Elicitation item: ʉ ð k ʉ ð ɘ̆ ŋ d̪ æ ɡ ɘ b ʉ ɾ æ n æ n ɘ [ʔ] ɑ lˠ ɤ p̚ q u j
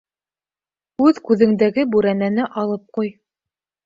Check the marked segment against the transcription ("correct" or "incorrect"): correct